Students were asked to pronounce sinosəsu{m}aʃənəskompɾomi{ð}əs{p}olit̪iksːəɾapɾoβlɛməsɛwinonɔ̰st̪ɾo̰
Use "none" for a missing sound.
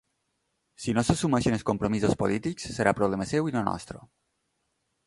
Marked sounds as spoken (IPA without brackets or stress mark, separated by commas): m, z, p